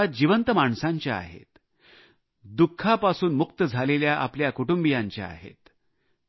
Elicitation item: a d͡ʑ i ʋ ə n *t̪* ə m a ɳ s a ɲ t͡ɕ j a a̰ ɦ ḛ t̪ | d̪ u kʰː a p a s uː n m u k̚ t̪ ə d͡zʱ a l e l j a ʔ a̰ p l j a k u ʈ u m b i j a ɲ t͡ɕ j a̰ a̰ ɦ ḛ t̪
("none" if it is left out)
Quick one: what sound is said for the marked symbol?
t̪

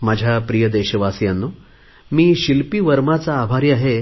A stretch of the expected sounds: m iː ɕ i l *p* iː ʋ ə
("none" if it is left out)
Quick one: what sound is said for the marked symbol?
p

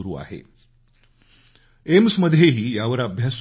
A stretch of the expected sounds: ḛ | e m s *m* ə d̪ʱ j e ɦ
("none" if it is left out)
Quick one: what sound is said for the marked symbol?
m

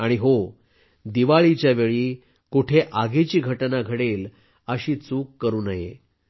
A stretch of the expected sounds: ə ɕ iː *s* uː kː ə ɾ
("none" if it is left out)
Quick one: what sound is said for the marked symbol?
t͡s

